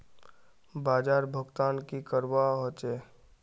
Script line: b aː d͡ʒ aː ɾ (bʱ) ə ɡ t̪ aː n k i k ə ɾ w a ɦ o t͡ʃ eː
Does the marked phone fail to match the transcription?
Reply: no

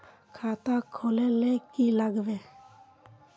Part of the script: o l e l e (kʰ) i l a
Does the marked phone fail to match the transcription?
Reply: yes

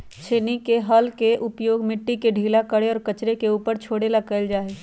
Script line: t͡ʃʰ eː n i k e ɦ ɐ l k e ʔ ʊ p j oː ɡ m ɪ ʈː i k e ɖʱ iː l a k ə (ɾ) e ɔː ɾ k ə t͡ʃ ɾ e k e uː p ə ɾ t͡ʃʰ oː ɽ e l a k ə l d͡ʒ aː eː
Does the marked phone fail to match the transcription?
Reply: yes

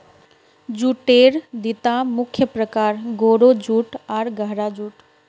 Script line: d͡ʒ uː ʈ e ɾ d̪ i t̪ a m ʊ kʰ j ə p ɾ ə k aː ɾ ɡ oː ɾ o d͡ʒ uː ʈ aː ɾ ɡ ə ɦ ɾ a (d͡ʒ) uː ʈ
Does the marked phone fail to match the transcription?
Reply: no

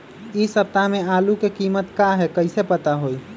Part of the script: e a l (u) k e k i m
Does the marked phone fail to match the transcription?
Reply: no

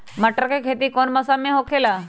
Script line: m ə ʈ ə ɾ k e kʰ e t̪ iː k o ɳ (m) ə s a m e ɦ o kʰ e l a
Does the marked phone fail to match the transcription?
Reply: no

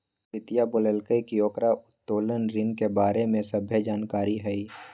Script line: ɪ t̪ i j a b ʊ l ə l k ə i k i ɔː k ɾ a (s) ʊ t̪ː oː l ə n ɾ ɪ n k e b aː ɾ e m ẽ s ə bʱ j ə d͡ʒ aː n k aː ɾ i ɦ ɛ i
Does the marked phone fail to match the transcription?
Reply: yes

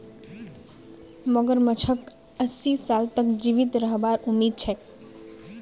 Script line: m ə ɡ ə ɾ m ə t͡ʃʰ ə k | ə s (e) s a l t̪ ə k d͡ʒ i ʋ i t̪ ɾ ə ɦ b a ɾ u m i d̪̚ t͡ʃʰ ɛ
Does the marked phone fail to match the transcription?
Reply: yes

